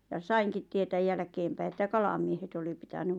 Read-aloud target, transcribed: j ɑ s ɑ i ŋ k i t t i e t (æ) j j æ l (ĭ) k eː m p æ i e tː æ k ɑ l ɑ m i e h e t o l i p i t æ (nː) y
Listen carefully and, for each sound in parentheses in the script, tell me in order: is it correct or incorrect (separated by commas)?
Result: correct, incorrect, incorrect